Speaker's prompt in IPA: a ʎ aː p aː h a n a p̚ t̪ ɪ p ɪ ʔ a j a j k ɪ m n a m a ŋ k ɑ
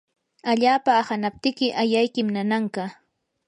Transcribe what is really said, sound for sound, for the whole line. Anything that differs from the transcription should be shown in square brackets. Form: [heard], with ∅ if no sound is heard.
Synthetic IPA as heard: a ʎ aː p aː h a n a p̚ t̪ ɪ [k] ɪ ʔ a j a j k ɪ m n a [n] a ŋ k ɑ